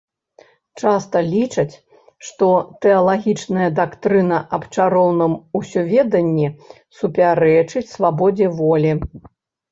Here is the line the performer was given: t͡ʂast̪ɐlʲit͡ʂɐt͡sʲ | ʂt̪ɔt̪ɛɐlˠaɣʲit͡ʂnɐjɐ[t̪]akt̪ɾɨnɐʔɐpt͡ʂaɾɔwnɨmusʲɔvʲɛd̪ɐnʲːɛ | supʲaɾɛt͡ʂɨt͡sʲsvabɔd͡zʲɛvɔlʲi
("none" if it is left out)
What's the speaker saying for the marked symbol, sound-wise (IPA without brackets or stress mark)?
d̪